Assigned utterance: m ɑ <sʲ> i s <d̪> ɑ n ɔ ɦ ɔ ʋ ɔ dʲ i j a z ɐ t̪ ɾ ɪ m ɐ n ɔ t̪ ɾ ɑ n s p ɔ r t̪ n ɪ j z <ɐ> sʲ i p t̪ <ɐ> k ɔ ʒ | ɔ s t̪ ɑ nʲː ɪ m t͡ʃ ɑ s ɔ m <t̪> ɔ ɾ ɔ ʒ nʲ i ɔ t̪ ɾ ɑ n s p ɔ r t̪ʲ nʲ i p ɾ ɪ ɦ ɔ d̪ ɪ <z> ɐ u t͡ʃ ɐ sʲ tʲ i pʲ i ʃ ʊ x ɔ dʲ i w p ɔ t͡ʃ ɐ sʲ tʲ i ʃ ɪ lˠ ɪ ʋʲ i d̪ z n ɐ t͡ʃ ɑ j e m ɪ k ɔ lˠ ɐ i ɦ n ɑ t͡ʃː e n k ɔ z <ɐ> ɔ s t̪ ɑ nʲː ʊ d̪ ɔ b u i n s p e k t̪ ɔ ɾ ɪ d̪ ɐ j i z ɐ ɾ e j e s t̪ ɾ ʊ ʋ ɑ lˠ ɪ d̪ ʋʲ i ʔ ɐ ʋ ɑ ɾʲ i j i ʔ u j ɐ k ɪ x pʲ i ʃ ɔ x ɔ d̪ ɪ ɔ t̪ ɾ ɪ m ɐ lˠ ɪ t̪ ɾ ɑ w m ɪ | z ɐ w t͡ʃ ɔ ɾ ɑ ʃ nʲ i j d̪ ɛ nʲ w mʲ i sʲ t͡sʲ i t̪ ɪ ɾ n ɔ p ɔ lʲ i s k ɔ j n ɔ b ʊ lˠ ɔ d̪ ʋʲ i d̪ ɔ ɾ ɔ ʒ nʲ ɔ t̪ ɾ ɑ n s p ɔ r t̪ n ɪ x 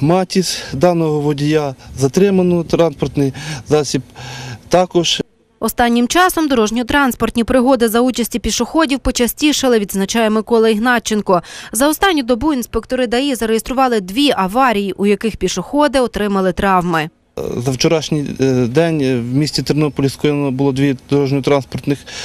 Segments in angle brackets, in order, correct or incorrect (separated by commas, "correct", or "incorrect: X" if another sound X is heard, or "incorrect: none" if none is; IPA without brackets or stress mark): incorrect: tʲ, correct, incorrect: ɑ, incorrect: ɑ, incorrect: d̪, correct, correct